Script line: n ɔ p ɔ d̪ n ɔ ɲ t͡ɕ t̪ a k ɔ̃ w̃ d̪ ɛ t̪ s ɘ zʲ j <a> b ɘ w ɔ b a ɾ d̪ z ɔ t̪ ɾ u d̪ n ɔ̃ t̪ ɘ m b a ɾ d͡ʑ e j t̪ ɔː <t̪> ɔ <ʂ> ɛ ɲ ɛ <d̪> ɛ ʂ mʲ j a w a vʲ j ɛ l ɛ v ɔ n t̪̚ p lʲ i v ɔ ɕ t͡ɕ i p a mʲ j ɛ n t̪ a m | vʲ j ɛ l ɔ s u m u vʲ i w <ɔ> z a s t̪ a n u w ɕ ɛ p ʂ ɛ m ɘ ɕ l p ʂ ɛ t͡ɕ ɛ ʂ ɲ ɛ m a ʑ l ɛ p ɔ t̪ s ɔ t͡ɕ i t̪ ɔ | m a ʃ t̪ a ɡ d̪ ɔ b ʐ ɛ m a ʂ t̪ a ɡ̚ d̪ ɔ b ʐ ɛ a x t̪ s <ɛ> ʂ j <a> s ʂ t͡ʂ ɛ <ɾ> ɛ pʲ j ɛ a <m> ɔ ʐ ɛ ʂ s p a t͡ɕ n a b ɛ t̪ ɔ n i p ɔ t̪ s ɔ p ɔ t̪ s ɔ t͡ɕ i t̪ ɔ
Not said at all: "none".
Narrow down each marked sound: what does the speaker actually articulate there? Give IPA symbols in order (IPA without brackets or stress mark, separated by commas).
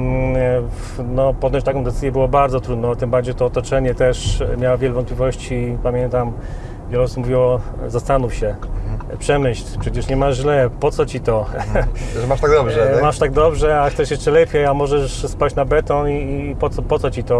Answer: ɛ, t̪, t͡ʂ, t̪, ɔ, ɛ, ɛ, l, m